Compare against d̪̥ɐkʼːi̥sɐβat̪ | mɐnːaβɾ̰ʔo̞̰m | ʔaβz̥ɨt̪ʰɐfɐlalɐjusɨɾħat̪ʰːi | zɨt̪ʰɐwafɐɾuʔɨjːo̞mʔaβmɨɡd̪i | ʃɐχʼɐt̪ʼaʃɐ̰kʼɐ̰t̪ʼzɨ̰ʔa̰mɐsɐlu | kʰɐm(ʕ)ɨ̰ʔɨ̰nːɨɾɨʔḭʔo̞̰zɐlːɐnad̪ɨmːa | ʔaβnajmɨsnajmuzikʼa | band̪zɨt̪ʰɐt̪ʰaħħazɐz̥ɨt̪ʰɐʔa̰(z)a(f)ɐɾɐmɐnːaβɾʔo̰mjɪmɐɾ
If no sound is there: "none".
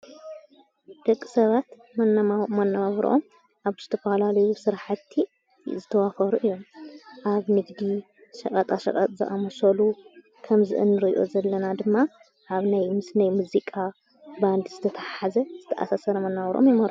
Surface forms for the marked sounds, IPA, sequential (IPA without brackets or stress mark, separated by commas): z, s, s